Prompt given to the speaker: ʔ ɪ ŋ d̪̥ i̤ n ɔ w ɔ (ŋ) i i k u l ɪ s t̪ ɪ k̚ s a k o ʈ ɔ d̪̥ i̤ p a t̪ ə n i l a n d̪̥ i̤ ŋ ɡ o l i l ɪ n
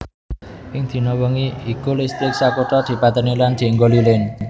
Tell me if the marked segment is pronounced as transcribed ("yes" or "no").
yes